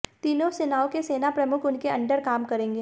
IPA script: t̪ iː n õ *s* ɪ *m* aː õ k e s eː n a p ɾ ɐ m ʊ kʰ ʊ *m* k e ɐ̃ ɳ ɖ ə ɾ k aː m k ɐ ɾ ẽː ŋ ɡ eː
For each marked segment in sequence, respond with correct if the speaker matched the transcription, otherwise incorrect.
correct, incorrect: n, incorrect: n

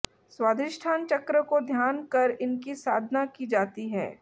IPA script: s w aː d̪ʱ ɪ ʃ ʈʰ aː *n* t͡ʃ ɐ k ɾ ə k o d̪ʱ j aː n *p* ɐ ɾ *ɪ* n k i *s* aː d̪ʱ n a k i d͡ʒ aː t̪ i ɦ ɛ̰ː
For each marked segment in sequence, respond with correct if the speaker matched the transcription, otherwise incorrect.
correct, incorrect: k, correct, correct

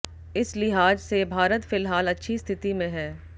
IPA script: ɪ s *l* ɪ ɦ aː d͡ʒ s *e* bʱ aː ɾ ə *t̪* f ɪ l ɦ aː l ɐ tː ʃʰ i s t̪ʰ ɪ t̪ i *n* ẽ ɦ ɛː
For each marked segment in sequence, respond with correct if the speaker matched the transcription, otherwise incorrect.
correct, correct, correct, incorrect: m

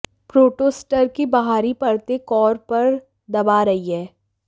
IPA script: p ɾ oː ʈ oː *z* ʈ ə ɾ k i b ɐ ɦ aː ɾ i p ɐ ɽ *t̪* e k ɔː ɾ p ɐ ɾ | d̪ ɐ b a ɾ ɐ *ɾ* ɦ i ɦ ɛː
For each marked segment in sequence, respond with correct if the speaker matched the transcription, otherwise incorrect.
incorrect: s, correct, incorrect: none

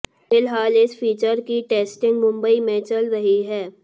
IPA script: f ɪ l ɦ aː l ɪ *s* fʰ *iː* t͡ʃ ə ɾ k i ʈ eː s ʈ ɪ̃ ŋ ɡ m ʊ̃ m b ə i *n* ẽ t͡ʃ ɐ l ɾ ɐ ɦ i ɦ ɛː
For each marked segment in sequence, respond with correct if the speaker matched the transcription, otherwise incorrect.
correct, correct, incorrect: m

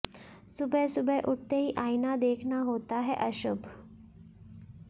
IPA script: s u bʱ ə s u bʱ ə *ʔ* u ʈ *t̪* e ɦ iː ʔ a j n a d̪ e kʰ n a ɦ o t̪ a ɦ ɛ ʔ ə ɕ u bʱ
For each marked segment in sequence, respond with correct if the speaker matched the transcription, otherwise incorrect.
correct, correct

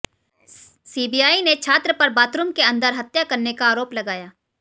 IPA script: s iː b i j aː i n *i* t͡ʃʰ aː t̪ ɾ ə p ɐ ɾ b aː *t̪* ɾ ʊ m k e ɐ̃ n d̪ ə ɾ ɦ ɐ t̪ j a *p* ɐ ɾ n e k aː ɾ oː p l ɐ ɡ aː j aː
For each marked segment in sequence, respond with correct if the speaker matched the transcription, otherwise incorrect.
incorrect: e, correct, incorrect: k

